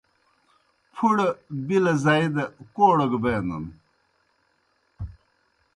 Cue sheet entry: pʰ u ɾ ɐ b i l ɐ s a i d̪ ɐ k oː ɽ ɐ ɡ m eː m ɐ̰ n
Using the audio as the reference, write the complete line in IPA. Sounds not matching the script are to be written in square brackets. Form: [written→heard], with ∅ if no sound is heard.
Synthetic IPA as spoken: pʰ u [ɾ→ɽ] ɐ b i l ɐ [s→z] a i d̪ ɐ k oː ɽ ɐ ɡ [m→b] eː [m→n] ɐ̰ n